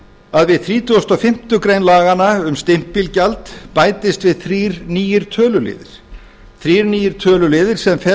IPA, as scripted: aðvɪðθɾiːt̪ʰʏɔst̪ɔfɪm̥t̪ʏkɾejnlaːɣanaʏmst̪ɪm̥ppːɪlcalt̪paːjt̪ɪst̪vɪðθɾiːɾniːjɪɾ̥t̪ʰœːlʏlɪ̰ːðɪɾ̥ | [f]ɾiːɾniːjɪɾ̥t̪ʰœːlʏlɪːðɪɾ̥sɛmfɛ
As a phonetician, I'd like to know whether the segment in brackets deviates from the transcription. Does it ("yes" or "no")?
yes